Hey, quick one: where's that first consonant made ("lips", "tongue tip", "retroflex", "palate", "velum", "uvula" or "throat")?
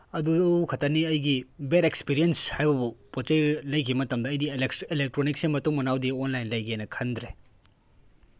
tongue tip